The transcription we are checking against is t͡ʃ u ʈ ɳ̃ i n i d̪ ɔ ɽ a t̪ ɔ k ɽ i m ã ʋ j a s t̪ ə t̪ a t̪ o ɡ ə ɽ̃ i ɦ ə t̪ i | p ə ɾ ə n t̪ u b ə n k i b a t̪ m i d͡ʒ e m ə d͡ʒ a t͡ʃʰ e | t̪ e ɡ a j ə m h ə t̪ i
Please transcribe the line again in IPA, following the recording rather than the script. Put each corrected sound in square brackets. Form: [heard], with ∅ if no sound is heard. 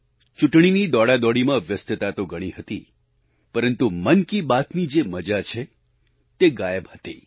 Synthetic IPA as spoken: t͡ʃ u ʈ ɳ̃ i n i d̪ ɔ ɽ a [d̪] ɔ [∅] ɽ i m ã ʋ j [ə] s t̪ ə t̪ a t̪ o ɡ ə ɽ̃ i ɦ ə t̪ i | p ə ɾ ə n t̪ u [m] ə n k i b a t̪ [n] i d͡ʒ e m ə d͡ʒ a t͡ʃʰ e | t̪ e ɡ a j ə [b] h ə t̪ i